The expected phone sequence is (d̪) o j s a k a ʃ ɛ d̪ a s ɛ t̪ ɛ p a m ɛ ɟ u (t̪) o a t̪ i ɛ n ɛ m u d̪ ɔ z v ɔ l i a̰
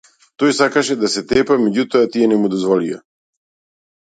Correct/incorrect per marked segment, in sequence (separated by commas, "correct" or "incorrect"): incorrect, correct